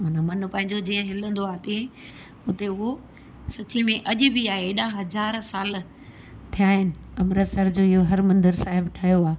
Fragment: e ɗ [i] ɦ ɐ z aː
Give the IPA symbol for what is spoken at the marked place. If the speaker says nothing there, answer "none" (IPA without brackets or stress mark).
a